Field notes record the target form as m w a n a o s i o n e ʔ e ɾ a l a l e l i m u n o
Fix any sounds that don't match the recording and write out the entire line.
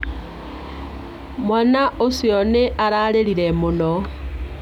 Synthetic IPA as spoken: m w a n a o s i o n e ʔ a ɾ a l e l i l e m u n o